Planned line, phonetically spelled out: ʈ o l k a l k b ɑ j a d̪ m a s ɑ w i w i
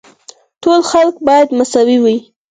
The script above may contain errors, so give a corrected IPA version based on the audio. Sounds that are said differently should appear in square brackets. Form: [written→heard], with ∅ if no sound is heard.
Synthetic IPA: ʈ o l [k→x] a l k b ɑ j a d̪ m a s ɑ w i w i